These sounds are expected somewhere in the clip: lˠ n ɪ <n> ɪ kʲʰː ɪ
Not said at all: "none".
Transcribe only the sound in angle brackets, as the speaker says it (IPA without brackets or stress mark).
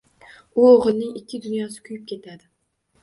ŋ